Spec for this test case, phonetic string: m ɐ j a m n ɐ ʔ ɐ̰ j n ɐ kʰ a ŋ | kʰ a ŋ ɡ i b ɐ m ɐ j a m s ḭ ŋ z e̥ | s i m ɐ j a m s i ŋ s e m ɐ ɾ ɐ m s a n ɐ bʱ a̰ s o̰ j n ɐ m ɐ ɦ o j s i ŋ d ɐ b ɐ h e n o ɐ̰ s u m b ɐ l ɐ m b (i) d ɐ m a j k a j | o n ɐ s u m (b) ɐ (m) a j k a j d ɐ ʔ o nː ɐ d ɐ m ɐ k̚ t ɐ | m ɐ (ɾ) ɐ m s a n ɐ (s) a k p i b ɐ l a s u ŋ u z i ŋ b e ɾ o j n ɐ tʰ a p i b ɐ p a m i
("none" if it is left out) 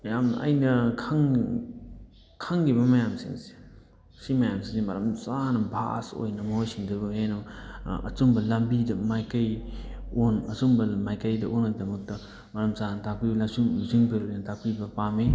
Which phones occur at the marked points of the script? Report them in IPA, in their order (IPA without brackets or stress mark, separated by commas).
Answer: i, b, m, ɾ, t